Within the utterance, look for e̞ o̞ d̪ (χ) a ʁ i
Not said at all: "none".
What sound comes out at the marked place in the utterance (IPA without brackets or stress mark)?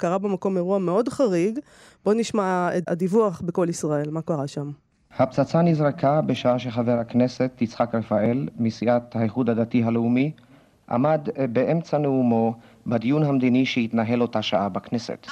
χ